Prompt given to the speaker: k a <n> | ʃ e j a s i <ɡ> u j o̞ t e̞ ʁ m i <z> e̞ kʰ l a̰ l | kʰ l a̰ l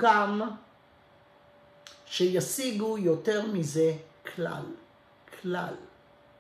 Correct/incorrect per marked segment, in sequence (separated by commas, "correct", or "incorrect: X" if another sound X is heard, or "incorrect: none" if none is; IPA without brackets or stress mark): incorrect: m, correct, correct